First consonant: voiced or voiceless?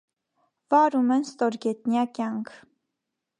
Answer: voiced